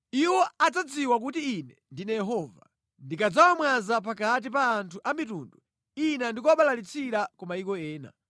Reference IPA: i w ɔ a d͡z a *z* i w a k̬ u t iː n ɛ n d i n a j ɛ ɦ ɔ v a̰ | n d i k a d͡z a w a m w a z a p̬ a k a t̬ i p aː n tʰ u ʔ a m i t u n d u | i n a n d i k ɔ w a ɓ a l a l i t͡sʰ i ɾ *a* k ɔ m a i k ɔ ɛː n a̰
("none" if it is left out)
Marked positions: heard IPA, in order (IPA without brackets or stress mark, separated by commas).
d͡z, a